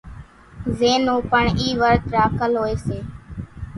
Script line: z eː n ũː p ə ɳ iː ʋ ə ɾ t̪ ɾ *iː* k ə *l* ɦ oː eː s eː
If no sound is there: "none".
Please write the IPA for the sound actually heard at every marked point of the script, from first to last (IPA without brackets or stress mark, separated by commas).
aː, l